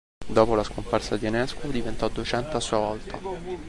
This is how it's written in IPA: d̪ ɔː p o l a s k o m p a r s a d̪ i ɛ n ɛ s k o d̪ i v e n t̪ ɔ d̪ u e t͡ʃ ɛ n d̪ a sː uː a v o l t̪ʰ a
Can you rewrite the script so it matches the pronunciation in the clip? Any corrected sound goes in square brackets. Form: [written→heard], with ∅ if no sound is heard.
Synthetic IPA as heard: d̪ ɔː p o l a s k o m p a r s a d̪ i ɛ n ɛ s k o d̪ i v e n t̪ ɔ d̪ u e t͡ʃ ɛ n [d̪→t̪] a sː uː a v [o→ɔ] l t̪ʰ a